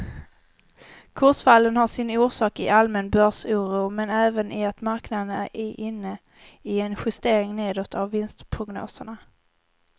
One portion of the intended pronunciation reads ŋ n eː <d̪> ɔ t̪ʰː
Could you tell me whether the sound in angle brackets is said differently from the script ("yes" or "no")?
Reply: no